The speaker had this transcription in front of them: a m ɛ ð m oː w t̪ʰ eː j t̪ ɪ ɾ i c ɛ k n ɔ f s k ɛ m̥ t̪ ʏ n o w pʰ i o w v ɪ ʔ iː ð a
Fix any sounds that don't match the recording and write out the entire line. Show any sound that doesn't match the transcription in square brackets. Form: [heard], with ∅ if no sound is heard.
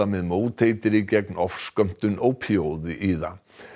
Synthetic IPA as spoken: a m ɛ ð m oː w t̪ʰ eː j t̪ ɪ ɾ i c ɛ k n ɔ f s k [œ] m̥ t̪ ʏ n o w pʰ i o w [ð] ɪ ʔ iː ð a